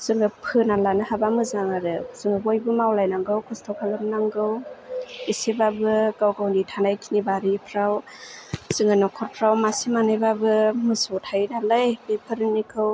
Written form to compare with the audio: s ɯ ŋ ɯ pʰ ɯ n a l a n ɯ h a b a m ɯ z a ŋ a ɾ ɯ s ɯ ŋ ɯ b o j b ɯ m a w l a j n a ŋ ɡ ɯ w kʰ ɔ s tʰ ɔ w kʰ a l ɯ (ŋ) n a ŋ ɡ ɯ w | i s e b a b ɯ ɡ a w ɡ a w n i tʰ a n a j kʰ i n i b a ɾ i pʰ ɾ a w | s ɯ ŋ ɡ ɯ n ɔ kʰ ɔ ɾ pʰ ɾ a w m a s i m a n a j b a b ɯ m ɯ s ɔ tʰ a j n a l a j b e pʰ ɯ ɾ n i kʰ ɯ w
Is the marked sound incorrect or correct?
incorrect